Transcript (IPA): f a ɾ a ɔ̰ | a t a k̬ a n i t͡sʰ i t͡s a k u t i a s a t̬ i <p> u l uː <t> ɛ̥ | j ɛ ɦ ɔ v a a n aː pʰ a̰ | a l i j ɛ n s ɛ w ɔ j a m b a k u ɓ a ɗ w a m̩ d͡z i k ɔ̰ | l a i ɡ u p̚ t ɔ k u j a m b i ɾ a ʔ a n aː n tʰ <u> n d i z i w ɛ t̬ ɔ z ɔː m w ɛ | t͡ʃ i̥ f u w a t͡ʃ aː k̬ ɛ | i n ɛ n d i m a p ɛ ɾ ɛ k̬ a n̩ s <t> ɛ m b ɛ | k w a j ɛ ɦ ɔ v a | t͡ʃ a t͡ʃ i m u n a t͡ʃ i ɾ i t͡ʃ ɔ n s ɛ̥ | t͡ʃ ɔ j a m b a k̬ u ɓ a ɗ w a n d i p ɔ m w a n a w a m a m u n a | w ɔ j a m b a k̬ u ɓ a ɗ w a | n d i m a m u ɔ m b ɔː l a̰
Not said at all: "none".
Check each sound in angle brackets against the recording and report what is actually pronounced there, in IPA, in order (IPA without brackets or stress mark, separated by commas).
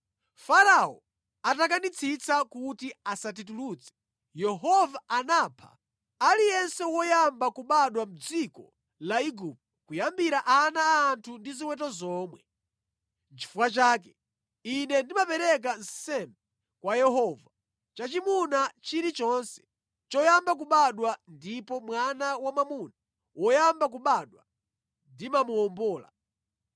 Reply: t, t͡s, u, s